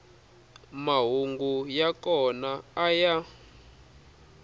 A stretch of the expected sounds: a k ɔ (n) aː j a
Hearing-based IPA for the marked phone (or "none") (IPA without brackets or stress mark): n